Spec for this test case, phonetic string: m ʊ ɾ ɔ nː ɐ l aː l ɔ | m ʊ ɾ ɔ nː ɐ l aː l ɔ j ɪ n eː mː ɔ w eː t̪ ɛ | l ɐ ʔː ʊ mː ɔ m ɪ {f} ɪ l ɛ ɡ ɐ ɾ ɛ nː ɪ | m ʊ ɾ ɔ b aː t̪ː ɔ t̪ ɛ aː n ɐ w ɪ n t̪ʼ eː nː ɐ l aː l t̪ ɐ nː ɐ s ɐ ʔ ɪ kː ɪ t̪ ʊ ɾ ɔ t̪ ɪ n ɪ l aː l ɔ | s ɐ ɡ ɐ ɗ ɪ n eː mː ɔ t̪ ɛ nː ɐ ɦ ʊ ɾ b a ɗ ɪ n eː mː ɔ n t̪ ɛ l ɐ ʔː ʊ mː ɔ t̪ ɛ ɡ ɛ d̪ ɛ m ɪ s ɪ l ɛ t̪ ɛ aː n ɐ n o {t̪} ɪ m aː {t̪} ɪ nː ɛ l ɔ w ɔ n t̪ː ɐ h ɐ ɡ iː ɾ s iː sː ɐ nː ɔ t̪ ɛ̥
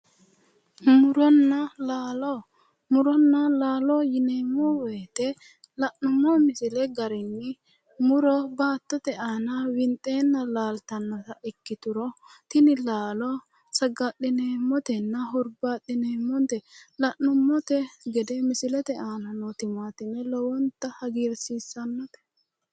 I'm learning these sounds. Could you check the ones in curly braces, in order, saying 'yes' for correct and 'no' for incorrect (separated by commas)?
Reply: no, yes, yes